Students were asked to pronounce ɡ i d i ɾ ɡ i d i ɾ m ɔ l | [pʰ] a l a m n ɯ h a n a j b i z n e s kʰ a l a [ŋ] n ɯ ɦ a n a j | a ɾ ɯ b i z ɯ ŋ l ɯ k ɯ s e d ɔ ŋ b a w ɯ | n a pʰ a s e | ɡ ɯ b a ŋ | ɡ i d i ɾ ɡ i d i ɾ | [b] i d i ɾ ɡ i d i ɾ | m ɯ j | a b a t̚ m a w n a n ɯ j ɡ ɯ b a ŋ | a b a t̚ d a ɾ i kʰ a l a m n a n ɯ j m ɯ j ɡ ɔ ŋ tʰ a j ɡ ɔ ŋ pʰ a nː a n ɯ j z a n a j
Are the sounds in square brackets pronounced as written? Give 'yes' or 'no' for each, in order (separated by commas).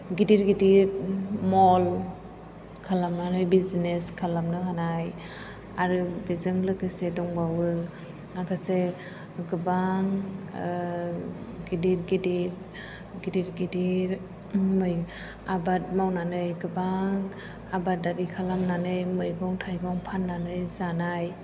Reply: no, no, no